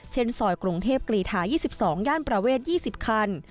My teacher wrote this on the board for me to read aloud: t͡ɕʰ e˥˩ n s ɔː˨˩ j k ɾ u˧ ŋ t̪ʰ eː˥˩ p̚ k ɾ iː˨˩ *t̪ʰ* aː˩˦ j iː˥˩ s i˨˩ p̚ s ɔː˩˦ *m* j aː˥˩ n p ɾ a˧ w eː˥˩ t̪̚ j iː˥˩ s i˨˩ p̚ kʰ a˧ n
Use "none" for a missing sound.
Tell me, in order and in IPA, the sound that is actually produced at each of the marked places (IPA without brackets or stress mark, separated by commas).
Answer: t̪ʰ, ŋ